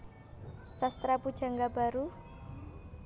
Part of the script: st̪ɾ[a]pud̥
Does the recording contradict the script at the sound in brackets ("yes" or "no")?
no